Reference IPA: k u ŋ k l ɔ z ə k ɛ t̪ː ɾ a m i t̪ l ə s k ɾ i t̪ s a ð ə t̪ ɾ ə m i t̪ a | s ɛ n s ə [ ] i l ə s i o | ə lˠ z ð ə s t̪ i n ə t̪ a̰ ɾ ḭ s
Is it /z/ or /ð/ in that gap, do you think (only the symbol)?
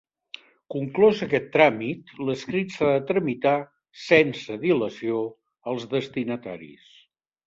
ð